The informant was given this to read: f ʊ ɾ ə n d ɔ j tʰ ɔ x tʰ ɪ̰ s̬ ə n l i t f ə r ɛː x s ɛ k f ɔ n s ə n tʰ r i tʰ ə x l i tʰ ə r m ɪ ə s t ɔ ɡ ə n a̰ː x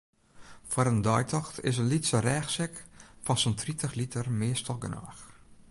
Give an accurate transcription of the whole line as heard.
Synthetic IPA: f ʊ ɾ ə n d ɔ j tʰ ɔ x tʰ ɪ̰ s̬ ə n l i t s ə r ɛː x s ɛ k f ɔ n s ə n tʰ r i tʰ ə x l i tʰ ə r m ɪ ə s t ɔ ɡ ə n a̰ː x

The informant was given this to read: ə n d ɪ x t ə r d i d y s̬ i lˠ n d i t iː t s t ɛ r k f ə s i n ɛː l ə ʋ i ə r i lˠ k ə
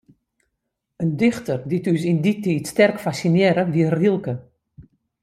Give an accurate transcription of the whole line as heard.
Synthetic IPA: ə n d ɪ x t ə r d i t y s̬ i n d i t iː t s t ɛ r k f a s i n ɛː ɾ ə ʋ i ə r i lˠ k ə

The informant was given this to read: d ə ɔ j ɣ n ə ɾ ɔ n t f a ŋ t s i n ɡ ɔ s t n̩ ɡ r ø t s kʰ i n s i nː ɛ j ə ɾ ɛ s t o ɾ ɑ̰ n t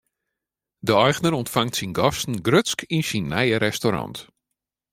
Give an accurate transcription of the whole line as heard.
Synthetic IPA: d ə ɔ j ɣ n ə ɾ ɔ n t f a ŋ t s i n ɡ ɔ s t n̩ ɡ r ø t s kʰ i n s i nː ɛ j ə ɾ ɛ s t o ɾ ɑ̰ n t

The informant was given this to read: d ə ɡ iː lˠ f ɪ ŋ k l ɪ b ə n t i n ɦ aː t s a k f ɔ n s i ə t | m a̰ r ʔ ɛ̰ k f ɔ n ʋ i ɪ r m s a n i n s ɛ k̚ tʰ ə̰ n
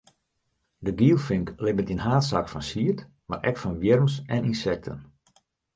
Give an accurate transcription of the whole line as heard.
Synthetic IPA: d ə ɡ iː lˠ f ɪ ŋ k l ɪ b ə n t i n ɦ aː t s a k f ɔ n s i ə t | m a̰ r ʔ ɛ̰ k f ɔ n ʋ j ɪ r m s ɛ n i n s ɛ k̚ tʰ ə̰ n

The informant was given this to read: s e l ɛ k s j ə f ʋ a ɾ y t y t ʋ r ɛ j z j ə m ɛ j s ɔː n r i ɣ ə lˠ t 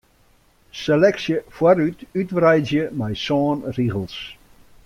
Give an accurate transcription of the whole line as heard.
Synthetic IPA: s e l ɛ k s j ə f w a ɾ y t y t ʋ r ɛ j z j ə m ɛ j s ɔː n r i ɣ ə lˠ s

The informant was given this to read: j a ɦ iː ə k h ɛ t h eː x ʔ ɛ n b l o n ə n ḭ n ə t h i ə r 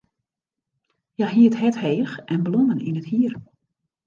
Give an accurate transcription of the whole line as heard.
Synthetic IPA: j a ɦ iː ə t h ɛ t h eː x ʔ ɛ n b l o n ə n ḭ n ə t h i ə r

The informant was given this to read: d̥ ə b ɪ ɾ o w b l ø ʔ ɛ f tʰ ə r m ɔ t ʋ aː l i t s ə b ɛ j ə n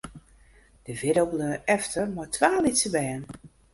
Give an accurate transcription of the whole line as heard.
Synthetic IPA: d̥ ə v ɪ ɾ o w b l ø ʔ ɛ f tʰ ə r m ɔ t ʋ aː l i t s ə b ɛ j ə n

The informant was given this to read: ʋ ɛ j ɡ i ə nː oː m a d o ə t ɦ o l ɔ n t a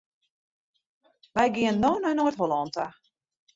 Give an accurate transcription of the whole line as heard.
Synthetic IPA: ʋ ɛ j ɡ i ə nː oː n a n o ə t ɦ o l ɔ n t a

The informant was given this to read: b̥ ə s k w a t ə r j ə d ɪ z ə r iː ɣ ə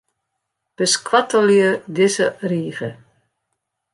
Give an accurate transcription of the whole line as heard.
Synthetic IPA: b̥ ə s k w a t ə l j ə d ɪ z ə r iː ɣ ə

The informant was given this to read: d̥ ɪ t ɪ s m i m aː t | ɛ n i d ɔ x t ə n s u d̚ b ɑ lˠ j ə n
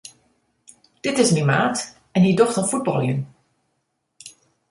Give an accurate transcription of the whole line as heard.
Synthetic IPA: d̥ ɪ t ɪ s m i m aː t | ɛ n i d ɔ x t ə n f u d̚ b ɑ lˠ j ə n

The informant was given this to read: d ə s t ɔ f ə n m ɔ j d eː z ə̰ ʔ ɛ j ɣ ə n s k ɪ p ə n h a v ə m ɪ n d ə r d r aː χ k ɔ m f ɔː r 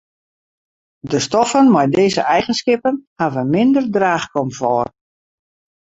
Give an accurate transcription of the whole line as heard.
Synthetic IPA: d ə s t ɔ f ə n m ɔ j d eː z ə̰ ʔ ɛ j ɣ ə n s k ɪ p ə n h a v ə m ɪ n d ə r d r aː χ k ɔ m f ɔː r

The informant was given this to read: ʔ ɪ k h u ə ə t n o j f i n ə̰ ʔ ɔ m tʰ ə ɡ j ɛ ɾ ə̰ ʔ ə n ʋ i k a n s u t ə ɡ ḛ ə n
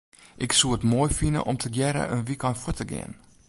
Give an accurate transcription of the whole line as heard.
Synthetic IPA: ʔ ɪ k s u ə ə t m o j f i n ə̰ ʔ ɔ m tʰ ə ɡ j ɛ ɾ ə̰ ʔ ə n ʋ i k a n f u t ə ɡ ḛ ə n

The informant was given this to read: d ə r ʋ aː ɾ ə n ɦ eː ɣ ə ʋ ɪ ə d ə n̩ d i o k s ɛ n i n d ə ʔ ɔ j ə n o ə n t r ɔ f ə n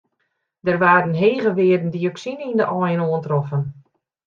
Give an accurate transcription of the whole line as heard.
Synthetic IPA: d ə r ʋ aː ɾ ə n ɦ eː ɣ ə ʋ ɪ ə d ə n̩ d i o k s i n i n d ə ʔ ɔ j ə n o ə n t r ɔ f ə n

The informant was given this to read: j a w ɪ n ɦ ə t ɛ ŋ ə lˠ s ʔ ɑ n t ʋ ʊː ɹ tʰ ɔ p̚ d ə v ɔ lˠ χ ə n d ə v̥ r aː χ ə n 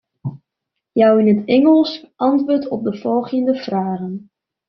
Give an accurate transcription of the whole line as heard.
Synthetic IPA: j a w ɪ n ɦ ə t ɛ ŋ ə lˠ s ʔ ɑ n t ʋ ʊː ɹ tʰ ɔ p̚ d ə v ɔ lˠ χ ə n d ə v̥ r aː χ ə n

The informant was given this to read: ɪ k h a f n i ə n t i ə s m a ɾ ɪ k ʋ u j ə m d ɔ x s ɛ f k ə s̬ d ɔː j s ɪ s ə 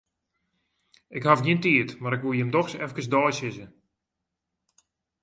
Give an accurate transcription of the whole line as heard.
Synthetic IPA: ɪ k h a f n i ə n t i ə t m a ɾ ɪ k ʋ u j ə m d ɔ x s ɛ f k ə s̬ d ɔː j s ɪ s ə

